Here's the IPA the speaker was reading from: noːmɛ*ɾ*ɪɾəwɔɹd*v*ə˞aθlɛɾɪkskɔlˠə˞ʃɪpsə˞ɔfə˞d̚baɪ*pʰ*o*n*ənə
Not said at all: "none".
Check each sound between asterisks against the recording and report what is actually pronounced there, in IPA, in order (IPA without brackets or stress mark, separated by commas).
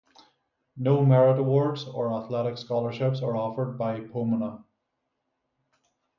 ɹ, z, pʰ, m